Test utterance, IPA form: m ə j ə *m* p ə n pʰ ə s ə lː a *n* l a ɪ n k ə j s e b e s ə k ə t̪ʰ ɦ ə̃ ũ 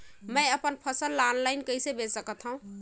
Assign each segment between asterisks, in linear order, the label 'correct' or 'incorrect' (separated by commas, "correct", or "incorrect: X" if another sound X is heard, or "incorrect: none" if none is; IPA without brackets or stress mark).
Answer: incorrect: none, correct